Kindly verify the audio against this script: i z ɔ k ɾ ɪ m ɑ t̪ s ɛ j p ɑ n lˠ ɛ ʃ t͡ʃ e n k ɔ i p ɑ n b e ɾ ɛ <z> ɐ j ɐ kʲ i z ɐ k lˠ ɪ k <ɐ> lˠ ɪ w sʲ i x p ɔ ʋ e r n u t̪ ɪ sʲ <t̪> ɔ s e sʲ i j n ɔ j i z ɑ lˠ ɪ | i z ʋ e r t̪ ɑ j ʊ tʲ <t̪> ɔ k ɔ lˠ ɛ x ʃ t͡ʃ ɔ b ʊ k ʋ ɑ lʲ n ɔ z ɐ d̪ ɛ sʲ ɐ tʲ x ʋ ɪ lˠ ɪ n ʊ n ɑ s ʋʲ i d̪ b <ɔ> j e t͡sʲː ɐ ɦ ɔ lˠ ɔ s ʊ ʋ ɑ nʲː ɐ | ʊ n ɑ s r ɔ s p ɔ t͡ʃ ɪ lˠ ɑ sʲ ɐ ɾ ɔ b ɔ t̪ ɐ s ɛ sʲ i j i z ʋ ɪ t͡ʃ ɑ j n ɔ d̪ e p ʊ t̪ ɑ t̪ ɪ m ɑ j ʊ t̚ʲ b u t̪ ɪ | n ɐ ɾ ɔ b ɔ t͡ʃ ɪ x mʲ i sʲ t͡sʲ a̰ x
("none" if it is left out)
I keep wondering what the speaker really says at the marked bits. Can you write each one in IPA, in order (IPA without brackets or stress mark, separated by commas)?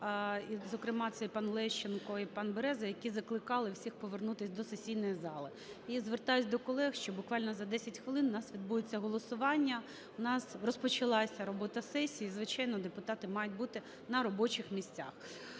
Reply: z, ɑ, d̪, d̪, u